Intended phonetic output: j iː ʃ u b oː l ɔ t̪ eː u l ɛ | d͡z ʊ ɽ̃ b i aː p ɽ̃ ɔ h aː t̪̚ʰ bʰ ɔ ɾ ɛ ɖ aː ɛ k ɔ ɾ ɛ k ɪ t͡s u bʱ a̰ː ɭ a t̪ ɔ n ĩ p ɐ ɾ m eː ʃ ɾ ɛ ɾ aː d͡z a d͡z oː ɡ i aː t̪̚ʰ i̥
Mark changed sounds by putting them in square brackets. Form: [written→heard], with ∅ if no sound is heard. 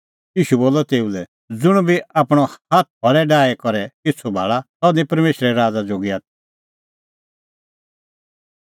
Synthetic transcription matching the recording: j iː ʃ u b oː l ɔ t̪ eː u l ɛ | d͡z ʊ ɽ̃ b i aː p ɽ̃ ɔ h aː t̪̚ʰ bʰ ɔ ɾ ɛ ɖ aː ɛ k ɔ ɾ ɛ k ɪ [t͡s→t͡sʰ] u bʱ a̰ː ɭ a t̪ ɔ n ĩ p ɐ ɾ m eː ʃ ɾ ɛ ɾ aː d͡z a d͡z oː ɡ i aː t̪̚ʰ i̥